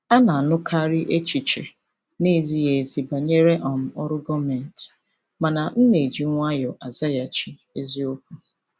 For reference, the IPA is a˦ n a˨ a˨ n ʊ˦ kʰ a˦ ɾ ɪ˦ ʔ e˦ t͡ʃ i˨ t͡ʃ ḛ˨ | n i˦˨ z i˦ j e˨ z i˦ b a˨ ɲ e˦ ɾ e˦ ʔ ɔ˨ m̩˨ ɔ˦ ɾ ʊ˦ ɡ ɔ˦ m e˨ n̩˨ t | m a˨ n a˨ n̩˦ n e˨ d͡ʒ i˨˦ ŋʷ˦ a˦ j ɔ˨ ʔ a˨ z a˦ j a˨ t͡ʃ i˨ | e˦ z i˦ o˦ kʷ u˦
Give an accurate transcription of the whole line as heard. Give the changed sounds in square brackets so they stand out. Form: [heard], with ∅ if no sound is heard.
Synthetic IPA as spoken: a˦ n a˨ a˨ n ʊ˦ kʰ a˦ ɾ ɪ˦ ʔ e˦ t͡ʃ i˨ t͡ʃ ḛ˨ | n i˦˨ z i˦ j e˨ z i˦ b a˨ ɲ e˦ ɾ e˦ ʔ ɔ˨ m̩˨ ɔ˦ ɾ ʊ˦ ɡ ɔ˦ m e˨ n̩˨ t | m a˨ n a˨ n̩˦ n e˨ d͡ʒ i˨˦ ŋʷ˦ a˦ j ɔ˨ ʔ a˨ z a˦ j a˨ t͡ʃ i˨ | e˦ z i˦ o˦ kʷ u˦